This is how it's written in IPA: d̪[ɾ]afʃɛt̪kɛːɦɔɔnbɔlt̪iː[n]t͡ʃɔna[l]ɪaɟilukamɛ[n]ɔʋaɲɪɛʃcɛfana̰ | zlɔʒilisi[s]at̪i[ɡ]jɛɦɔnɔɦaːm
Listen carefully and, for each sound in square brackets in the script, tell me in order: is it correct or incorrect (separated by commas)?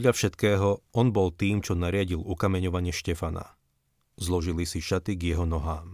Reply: incorrect, incorrect, incorrect, incorrect, incorrect, correct